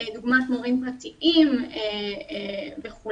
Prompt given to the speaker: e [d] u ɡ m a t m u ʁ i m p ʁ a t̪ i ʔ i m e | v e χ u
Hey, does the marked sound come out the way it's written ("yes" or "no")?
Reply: yes